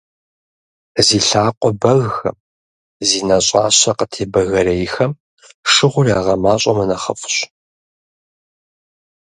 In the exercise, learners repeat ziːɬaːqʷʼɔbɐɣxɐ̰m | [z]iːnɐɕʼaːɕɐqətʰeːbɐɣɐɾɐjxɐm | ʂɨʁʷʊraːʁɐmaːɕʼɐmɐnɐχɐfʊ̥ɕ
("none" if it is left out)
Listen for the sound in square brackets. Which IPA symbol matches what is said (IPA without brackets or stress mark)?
z